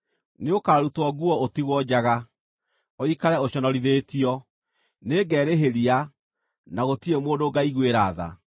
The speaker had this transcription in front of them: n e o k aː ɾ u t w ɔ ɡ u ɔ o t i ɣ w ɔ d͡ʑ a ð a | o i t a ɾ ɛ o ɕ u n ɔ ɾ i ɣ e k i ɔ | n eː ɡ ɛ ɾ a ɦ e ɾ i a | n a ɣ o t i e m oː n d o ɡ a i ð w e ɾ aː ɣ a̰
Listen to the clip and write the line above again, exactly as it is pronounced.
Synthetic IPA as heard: n e o k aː ɾ u t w ɔ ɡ u ɔ o t i ɣ w ɔ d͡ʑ a ɣ a | o i k a ɾ ɛ o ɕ ɔ n ɔ ɾ i ð e t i ɔ | n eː ɡ ɛ ɾ e ɦ e ɾ i a | n a ɣ o t i e m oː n d o ɡ a i ɣ w e ɾ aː ð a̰